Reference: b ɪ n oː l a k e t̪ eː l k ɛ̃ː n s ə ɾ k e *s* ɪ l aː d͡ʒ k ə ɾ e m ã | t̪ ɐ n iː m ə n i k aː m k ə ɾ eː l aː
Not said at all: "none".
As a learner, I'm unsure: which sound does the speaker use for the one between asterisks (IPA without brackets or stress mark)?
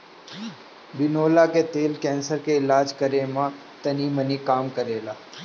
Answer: none